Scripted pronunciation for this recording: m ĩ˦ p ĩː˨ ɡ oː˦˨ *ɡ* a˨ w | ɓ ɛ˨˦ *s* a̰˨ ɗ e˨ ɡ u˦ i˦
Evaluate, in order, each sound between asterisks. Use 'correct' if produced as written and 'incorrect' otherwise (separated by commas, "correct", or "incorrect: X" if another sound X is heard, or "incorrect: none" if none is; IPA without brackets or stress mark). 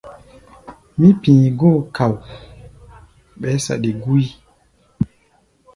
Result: incorrect: k, correct